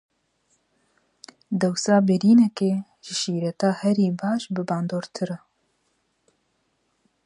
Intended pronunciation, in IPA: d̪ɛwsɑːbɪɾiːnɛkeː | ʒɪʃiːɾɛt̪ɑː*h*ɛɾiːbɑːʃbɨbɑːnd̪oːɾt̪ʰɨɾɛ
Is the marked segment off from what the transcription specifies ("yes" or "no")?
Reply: no